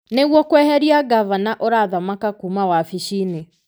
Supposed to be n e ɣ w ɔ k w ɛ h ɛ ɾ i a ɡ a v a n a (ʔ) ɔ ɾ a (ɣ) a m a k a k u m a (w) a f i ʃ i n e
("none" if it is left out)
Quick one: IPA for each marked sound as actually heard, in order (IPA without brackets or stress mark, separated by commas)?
ʔ, ð, w